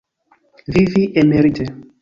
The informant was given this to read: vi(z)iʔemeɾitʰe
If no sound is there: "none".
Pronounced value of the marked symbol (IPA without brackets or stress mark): v